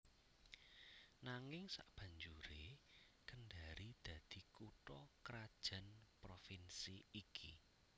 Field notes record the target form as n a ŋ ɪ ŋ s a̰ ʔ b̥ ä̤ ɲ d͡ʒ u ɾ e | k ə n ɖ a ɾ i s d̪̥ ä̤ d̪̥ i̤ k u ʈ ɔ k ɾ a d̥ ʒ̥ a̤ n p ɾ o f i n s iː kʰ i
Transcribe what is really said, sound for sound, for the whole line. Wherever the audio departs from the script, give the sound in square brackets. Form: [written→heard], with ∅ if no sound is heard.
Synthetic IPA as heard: n a ŋ ɪ ŋ s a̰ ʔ b̥ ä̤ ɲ d͡ʒ u ɾ e | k ə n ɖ a ɾ i [s→∅] d̪̥ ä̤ d̪̥ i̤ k u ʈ ɔ k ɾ a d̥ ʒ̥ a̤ n p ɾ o f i n s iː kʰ i